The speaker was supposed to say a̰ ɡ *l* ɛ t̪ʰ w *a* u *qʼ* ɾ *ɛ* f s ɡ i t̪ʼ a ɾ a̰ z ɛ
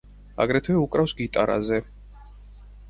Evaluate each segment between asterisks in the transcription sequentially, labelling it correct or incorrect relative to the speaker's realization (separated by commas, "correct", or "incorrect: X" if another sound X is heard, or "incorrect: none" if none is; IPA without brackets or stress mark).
incorrect: ɾ, incorrect: ɛ, incorrect: kʼ, incorrect: a